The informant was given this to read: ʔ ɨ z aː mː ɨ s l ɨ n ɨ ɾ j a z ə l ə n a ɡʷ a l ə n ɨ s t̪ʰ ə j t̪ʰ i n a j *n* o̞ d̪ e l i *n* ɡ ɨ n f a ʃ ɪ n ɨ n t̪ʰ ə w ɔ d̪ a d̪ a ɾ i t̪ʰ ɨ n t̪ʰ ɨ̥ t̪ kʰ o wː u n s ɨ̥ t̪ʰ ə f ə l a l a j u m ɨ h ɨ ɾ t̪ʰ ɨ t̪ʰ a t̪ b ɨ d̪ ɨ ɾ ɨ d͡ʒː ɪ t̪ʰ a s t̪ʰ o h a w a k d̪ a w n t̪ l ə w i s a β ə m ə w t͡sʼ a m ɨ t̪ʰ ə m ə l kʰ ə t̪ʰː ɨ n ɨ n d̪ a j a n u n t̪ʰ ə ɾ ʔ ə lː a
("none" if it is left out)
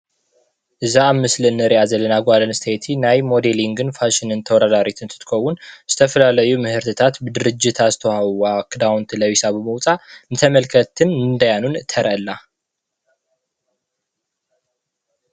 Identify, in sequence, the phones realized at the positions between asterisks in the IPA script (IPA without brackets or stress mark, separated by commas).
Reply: m, ŋ